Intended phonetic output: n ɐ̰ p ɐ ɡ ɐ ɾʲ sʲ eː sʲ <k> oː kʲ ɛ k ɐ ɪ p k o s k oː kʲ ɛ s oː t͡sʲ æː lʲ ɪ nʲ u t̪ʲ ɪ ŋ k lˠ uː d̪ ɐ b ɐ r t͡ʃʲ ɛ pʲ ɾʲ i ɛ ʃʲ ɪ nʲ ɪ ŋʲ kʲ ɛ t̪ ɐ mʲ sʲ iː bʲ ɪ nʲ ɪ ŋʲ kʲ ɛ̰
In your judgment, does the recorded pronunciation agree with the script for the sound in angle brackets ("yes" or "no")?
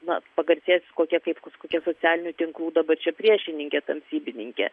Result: yes